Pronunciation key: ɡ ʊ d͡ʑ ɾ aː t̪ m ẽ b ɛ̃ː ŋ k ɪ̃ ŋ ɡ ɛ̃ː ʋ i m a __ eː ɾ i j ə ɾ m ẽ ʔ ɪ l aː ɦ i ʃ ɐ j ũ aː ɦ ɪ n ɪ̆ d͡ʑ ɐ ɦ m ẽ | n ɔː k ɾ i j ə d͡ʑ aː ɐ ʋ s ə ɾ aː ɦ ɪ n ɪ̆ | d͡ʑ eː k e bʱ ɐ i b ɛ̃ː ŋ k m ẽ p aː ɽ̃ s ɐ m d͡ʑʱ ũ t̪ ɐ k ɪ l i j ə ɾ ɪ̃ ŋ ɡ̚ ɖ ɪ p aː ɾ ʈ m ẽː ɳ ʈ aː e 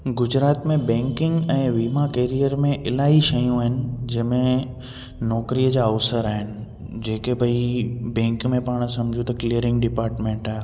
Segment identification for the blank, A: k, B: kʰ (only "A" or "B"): A